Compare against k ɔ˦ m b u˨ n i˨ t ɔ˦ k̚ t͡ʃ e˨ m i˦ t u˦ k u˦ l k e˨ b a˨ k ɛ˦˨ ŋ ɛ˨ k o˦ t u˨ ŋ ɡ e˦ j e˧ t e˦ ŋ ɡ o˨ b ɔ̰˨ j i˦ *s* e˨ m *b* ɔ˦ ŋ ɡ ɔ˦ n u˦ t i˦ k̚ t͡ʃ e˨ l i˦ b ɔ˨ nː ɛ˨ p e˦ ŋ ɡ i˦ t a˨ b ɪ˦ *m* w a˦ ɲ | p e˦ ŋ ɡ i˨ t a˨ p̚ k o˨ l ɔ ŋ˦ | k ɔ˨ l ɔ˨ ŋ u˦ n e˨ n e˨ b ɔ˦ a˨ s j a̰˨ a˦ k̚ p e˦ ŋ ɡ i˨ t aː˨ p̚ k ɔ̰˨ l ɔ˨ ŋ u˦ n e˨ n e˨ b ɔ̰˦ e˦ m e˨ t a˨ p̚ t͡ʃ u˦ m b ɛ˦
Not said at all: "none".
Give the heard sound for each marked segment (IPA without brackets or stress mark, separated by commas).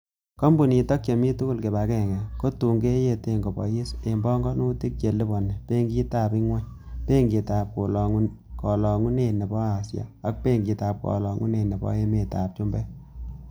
s, b, ŋ